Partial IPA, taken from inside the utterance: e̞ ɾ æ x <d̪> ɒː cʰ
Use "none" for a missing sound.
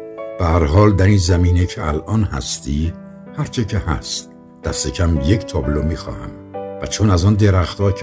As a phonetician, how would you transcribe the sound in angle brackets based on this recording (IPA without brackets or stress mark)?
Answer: t̪